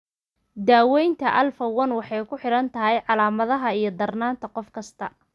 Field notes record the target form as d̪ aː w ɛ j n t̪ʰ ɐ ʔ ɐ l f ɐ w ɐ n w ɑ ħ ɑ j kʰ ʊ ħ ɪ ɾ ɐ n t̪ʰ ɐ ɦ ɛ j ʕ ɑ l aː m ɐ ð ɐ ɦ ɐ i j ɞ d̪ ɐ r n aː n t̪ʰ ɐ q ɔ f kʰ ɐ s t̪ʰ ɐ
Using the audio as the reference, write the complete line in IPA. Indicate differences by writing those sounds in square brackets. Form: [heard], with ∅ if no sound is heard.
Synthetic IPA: d̪ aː w ɛ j n t̪ʰ ɐ ʔ ɐ l f ɐ w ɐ n w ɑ ħ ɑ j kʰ ʊ ħ ɪ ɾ ɐ n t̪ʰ ɐ ɦ ɛ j ʕ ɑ l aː m ɐ ð ɐ ɦ ɐ i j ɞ d̪ ɐ r n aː n t̪ʰ ɐ q ɔ f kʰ ɐ s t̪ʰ ɐ

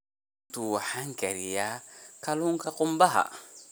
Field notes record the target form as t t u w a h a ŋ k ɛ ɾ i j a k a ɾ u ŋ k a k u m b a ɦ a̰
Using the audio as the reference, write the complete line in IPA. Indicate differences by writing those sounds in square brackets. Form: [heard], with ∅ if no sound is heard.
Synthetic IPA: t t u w a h a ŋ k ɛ ɾ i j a k a [l] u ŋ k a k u m b a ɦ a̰

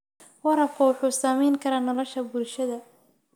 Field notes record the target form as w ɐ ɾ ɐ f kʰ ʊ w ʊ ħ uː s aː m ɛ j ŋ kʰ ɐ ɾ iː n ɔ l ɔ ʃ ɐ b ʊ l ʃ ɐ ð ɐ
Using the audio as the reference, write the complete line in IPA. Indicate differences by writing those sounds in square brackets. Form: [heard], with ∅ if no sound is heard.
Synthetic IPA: w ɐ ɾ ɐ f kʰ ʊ w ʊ ħ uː s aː m ɛ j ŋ kʰ ɐ ɾ [aː] n ɔ l ɔ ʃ ɐ b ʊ l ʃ ɐ ð ɐ

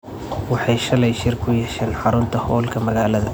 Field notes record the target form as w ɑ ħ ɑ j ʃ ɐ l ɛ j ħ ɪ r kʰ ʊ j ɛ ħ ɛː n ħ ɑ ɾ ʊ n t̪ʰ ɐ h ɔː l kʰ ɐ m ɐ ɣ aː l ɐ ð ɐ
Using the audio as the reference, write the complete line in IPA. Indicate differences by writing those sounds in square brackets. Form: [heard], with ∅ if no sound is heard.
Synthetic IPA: w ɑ ħ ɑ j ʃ ɐ l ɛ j [ʃ] ɪ r kʰ ʊ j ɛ [ʃ] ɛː n ħ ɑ ɾ ʊ n t̪ʰ ɐ h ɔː l kʰ ɐ m ɐ ɣ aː l ɐ ð ɐ

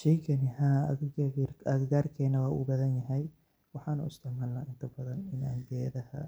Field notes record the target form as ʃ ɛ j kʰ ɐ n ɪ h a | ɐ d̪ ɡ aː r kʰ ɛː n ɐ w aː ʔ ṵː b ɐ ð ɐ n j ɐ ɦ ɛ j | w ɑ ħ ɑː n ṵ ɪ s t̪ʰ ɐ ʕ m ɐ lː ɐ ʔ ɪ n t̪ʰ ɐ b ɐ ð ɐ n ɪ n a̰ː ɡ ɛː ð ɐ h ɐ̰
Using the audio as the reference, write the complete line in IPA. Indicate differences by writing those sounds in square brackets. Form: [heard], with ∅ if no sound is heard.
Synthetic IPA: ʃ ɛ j kʰ ɐ n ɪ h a | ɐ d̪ ɡ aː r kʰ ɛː n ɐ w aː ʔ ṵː b ɐ ð ɐ n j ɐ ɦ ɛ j | w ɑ ħ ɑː n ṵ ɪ s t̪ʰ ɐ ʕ m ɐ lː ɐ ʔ ɪ n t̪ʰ ɐ b ɐ ð ɐ n ɪ n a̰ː ɡ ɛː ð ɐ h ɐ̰

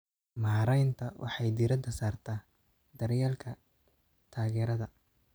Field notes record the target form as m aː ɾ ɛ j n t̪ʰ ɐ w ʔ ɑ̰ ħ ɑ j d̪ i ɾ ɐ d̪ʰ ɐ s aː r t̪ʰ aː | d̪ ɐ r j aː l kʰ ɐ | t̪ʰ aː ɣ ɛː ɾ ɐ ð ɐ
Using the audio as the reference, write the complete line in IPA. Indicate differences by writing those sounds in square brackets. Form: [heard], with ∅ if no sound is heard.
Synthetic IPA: m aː ɾ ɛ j n t̪ʰ ɐ w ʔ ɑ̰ ħ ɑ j d̪ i ɾ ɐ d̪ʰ ɐ s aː r t̪ʰ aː | d̪ ɐ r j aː l kʰ ɐ | t̪ʰ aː ɣ ɛː ɾ ɐ ð ɐ

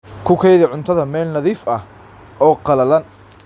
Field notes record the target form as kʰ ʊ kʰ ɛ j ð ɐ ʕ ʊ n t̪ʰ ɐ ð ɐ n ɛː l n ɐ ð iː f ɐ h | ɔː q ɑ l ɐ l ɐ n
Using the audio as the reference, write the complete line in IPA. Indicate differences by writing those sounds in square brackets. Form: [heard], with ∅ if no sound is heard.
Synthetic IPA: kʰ ʊ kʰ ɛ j ð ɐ ʕ ʊ n t̪ʰ ɐ ð ɐ [m] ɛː l n ɐ ð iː f ɐ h | ɔː q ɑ l ɐ l ɐ n

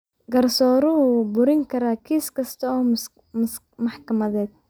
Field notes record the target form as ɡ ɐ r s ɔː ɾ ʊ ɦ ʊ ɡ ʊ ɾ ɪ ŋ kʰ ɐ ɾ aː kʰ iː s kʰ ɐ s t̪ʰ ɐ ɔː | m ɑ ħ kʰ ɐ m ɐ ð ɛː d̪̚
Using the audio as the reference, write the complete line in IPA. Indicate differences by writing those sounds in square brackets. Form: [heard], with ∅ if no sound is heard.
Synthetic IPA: ɡ ɐ r s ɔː ɾ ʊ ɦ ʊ [b] ʊ ɾ ɪ ŋ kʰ ɐ ɾ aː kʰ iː s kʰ ɐ s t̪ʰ ɐ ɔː | m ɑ ħ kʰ ɐ m ɐ ð ɛː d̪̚

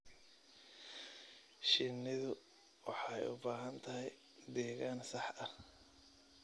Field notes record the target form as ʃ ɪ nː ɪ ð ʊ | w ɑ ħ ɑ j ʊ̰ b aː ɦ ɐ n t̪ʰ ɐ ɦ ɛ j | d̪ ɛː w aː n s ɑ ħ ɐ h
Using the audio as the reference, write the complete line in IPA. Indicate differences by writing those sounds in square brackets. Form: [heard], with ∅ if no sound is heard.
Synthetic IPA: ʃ ɪ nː ɪ ð ʊ | w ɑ ħ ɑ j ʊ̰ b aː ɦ ɐ n t̪ʰ ɐ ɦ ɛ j | d̪ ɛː [ɣ] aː n s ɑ ħ ɐ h

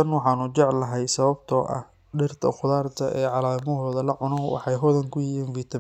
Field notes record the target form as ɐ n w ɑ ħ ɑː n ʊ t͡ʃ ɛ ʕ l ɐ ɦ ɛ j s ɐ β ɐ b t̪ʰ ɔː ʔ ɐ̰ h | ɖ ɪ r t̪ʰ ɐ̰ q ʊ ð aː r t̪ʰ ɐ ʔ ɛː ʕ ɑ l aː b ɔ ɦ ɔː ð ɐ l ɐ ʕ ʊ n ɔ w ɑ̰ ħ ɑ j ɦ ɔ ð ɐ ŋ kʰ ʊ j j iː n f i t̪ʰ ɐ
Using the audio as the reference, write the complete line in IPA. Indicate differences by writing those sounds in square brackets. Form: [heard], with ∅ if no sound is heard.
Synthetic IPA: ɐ n w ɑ ħ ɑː n ʊ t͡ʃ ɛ ʕ l ɐ ɦ ɛ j s ɐ β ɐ b t̪ʰ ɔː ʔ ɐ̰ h | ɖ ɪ r t̪ʰ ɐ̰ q ʊ ð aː r t̪ʰ ɐ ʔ ɛː ʕ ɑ l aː [m] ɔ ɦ ɔː ð ɐ l ɐ ʕ ʊ n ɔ w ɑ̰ ħ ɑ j ɦ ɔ ð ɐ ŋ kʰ ʊ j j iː n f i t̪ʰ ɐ

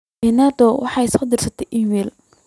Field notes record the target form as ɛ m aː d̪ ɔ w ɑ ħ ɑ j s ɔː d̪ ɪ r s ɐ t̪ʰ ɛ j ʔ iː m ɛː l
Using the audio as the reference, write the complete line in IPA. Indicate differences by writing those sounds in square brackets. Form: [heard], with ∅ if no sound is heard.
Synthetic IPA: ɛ [n] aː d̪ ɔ w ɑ ħ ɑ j s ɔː d̪ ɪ r s ɐ t̪ʰ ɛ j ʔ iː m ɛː l

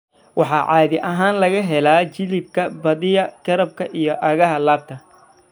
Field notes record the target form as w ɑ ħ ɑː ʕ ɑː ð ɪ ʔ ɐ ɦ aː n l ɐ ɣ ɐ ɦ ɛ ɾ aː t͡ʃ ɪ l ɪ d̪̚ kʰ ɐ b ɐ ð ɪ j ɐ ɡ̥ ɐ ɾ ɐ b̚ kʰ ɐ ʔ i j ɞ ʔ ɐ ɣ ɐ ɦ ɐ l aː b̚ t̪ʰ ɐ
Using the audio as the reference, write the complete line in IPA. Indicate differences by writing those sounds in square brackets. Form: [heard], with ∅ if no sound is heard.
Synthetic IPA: w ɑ ħ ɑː ʕ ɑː ð ɪ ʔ ɐ ɦ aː n l ɐ ɣ ɐ ɦ ɛ [l] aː t͡ʃ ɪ l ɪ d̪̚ kʰ ɐ b ɐ ð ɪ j ɐ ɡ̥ ɐ ɾ ɐ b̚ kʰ ɐ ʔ i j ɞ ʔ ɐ ɣ ɐ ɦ ɐ l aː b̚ t̪ʰ ɐ

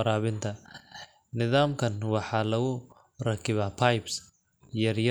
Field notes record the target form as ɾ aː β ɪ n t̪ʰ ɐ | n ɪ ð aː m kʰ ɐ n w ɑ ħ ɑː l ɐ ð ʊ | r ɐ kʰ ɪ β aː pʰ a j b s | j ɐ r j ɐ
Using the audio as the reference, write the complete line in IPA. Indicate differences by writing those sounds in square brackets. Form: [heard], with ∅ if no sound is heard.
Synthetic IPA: ɾ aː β ɪ n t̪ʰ ɐ | n ɪ ð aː m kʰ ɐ n w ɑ ħ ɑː l ɐ [ɣ] ʊ | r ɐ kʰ ɪ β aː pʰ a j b s | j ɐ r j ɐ

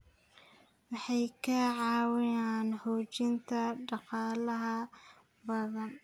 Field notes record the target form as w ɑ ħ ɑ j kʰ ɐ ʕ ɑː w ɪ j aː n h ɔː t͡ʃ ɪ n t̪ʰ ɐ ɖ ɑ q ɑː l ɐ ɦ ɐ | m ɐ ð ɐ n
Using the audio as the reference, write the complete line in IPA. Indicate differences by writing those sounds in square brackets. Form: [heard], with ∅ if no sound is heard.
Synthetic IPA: w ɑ ħ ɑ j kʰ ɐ ʕ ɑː w ɪ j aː n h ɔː t͡ʃ ɪ n t̪ʰ ɐ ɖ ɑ q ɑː l ɐ ɦ ɐ | [b] ɐ ð ɐ n

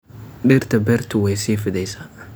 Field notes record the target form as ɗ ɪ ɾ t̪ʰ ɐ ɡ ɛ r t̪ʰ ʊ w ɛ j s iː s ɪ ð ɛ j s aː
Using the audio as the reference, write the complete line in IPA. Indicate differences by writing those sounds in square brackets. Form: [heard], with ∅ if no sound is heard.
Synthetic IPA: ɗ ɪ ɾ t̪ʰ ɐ [b] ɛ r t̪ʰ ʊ w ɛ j s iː [f] ɪ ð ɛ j s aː

